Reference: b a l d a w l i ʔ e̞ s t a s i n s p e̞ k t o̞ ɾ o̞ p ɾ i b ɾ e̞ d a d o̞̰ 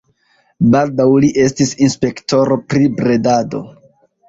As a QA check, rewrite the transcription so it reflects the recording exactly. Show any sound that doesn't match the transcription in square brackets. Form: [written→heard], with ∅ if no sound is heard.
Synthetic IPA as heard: b a l d a w l i ʔ e̞ s t [a→i] s i n s p e̞ k t o̞ ɾ o̞ p ɾ i b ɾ e̞ d a d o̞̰